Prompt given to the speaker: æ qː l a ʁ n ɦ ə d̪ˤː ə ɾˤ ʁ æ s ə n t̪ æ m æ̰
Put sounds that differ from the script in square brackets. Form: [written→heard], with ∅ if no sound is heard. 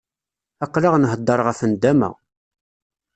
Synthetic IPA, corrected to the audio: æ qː l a ʁ n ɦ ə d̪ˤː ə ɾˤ ʁ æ [s→f] ə n [t̪→d̪] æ m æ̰